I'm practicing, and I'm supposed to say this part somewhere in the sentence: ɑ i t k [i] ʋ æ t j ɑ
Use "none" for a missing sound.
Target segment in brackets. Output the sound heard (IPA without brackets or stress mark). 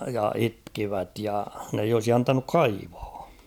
i